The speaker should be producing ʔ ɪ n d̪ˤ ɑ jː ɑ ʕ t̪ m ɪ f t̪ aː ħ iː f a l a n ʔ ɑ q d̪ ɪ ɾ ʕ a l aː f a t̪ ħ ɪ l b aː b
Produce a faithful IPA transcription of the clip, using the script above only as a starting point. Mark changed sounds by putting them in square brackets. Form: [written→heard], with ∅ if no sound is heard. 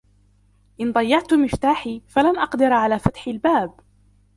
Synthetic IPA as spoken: ʔ ɪ n d̪ˤ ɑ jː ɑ ʕ t̪ m ɪ f t̪ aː ħ iː f a l a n ʔ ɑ q d̪ ɪ ɾ ʕ a l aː f a t̪ ħ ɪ l b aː b